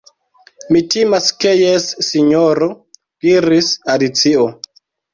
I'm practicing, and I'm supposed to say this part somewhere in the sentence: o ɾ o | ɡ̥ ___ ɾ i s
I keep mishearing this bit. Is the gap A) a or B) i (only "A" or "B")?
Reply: B